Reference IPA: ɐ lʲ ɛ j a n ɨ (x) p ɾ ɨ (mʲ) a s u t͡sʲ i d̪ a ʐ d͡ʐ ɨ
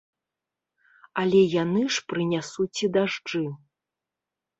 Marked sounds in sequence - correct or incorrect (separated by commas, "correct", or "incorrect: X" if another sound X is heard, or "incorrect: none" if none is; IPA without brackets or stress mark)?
incorrect: ʂ, incorrect: nʲ